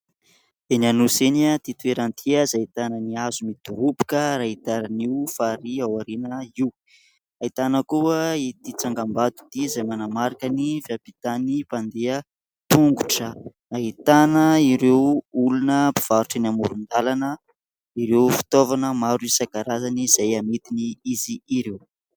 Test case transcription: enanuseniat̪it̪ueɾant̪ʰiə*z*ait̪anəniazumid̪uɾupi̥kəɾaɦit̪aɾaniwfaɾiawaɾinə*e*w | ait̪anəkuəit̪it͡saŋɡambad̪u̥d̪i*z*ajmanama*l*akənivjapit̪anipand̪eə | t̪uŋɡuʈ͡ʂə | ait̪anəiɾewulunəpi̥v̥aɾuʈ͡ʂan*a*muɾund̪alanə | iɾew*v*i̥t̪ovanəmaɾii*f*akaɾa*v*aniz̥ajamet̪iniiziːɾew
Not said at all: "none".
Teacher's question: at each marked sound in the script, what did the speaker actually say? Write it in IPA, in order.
z, i, z, ɾ, a, f, s, z

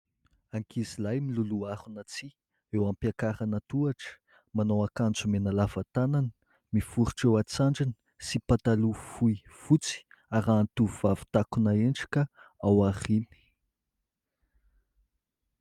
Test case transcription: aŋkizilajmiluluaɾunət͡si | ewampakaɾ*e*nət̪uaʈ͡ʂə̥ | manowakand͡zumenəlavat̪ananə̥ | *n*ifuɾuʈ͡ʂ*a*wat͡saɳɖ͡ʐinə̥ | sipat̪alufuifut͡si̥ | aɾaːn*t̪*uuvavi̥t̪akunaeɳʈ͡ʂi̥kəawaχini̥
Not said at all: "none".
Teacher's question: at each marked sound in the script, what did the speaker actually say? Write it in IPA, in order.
a, m, e, t̪

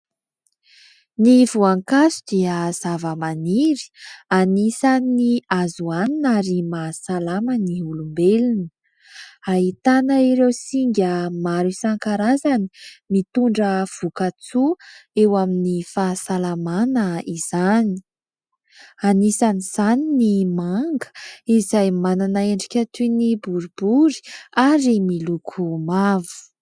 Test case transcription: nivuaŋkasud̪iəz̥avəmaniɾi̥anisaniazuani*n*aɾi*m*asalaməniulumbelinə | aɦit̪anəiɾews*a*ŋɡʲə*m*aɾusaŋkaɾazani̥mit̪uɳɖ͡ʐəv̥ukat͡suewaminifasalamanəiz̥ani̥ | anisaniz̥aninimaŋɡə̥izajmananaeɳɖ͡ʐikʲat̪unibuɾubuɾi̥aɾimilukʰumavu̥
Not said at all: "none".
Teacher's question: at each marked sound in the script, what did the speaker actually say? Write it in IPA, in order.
n, m, i, m

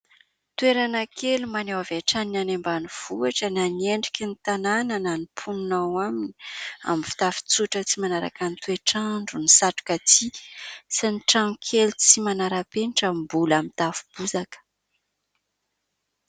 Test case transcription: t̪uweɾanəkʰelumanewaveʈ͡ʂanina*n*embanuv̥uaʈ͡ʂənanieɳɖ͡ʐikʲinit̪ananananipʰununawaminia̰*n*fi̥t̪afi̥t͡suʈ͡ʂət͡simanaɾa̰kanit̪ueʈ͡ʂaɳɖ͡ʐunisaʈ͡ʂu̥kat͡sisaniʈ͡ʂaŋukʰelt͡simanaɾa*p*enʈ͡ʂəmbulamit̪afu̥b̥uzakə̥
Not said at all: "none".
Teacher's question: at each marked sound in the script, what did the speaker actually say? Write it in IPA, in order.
n, m, p

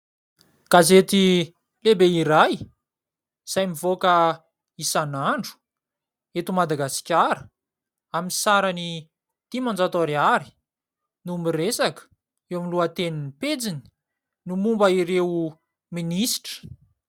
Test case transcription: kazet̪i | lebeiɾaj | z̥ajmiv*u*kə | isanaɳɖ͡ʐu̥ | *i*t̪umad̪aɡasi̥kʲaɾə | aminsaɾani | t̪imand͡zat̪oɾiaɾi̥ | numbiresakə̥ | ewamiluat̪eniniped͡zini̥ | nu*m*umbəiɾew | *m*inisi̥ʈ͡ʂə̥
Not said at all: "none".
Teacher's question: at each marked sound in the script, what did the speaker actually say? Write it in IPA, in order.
o, e, m, m

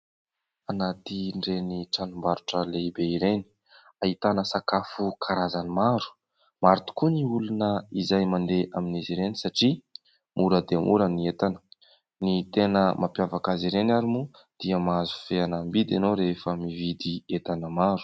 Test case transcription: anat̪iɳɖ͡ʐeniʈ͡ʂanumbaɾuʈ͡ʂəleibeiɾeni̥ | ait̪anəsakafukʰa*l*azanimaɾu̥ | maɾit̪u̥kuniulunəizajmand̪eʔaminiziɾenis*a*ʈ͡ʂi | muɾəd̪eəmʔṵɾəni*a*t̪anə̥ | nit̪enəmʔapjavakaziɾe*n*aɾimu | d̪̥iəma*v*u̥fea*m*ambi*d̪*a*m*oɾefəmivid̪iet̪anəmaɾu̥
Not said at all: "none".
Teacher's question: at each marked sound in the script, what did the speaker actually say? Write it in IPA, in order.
ɾ, a, e, n, z, n, d̪, n

